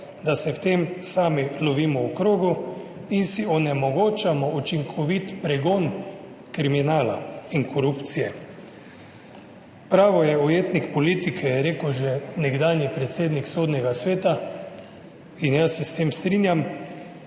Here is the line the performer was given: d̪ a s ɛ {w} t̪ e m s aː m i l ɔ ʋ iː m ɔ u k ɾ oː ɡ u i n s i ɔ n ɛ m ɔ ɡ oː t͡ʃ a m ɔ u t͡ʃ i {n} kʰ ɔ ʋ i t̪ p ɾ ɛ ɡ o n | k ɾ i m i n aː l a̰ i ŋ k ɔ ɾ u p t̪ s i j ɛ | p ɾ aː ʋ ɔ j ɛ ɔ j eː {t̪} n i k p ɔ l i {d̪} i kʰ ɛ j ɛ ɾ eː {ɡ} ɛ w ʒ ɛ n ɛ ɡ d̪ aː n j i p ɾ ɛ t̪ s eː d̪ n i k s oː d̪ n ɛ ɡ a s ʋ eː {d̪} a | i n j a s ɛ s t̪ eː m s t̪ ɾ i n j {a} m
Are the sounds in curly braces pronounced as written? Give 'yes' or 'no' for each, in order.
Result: yes, no, yes, no, no, no, yes

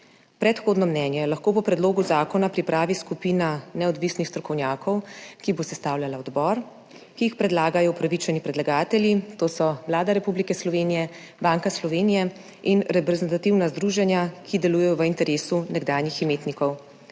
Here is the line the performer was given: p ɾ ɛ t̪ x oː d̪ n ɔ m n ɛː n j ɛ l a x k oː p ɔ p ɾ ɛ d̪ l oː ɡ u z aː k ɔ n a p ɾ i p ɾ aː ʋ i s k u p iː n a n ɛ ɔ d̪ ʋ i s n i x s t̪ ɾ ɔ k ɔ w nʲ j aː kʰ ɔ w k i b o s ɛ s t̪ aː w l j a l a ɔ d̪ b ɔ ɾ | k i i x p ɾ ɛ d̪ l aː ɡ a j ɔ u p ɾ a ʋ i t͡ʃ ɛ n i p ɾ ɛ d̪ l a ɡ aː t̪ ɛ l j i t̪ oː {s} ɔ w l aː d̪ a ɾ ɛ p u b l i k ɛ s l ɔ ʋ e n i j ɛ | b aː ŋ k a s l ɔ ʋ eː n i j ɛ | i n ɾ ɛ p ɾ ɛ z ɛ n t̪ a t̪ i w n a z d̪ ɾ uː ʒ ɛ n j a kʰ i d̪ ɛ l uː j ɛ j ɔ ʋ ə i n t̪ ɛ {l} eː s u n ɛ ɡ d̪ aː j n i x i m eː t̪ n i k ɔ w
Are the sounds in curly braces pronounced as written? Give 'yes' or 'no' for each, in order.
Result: yes, no

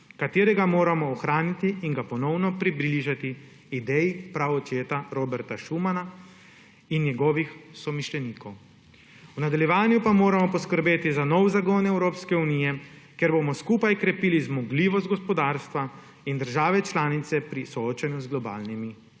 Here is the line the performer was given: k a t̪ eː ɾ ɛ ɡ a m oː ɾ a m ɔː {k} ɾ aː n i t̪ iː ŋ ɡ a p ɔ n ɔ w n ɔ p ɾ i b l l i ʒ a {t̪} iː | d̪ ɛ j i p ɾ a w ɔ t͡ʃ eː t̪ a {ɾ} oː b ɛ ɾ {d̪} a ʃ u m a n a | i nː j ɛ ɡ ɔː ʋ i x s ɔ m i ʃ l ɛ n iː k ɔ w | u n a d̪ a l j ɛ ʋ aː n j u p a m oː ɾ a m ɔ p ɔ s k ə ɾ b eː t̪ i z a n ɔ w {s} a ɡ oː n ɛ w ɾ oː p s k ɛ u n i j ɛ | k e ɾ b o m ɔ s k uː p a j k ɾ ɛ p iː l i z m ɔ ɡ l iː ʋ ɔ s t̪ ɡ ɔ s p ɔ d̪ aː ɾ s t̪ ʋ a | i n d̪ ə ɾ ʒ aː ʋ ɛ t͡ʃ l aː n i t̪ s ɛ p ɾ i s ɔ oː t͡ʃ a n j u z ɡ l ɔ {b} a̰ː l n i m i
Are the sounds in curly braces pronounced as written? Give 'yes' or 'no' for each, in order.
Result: no, yes, yes, no, no, yes

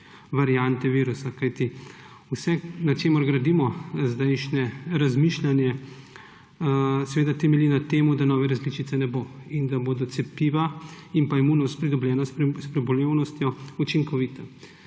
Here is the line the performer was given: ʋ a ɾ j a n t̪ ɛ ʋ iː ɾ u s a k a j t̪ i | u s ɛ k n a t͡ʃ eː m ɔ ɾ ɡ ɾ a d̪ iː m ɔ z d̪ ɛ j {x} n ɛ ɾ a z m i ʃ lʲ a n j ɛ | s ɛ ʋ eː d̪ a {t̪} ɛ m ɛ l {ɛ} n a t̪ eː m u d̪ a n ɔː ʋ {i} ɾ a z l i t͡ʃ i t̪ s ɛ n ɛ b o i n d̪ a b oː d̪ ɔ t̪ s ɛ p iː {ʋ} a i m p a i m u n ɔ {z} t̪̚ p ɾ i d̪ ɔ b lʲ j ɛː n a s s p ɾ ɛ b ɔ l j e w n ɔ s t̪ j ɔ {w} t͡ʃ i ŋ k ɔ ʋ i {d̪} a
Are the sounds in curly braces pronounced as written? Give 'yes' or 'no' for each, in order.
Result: no, yes, no, no, yes, no, no, no

